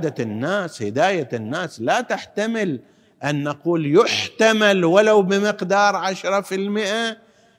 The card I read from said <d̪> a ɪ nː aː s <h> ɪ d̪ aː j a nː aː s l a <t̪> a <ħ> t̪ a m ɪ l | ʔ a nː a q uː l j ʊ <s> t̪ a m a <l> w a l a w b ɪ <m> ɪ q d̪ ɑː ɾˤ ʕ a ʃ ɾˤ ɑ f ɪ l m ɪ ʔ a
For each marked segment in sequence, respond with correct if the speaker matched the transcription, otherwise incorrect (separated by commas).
correct, correct, correct, correct, incorrect, correct, correct